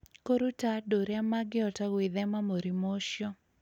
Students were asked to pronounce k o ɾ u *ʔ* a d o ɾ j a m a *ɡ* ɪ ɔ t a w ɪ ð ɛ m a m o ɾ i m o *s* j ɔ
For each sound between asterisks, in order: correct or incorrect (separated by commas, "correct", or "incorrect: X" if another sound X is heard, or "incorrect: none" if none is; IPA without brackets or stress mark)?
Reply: incorrect: t, correct, incorrect: ʃ